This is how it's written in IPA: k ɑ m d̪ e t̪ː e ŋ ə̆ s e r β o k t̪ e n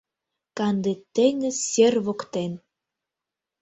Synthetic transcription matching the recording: k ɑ n d̪ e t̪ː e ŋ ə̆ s e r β o k t̪ e n